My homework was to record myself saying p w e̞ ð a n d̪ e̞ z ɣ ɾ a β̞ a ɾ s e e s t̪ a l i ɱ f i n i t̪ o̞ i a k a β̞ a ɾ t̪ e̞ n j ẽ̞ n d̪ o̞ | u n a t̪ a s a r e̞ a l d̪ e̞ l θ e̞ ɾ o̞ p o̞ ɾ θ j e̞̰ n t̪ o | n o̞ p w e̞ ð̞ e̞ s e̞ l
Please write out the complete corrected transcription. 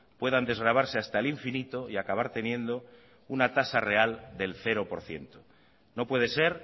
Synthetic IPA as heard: p w e̞ ð a n d̪ e̞ z ɣ ɾ a β̞ a ɾ s e a s t̪ a l i ɱ f i n i t̪ o̞ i a k a β̞ a ɾ t̪ e̞ n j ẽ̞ n d̪ o̞ | u n a t̪ a s a r e̞ a l d̪ e̞ l θ e̞ ɾ o̞ p o̞ ɾ θ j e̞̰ n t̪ o | n o̞ p w e̞ ð̞ e̞ s e̞ ɾ